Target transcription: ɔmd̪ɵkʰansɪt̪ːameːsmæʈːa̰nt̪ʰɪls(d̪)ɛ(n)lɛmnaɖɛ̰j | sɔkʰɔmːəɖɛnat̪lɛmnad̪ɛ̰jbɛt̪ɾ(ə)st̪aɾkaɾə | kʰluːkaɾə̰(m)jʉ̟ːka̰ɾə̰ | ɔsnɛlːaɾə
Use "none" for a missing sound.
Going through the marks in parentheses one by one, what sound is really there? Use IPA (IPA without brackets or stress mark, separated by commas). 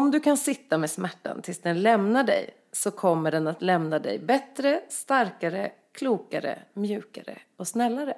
d̪, n, ə, m